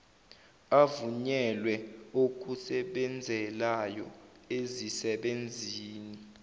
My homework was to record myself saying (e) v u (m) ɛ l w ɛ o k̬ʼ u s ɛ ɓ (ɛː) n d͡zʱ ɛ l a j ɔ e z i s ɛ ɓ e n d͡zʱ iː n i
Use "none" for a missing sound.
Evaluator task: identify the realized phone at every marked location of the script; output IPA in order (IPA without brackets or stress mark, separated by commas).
a, ɲ, ɛ